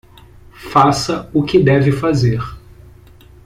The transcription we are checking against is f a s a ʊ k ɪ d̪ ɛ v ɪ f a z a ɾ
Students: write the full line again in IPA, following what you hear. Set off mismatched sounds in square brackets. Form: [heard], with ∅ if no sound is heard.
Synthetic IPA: f a s [ɐ] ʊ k ɪ d̪ ɛ v ɪ f a z [e] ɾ